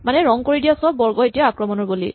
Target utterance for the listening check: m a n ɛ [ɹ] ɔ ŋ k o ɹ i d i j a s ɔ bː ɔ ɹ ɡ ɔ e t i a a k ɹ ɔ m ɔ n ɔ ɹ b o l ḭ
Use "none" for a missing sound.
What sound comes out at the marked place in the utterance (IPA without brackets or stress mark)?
ɹ